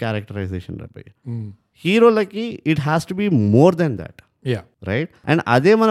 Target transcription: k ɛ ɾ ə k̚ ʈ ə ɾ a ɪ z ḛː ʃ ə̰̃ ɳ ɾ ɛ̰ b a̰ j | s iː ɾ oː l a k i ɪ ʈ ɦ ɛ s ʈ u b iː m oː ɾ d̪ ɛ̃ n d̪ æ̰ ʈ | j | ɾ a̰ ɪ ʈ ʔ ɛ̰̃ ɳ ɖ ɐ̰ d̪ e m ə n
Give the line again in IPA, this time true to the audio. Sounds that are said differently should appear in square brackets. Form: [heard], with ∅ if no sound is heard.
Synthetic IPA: k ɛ ɾ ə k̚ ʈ ə ɾ a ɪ z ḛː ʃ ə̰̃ [n] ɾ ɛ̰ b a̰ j | [h] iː ɾ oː l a k i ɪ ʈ ɦ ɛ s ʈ u b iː m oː ɾ d̪ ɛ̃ n d̪ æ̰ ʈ | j | ɾ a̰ ɪ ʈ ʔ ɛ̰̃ ɳ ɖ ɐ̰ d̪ e m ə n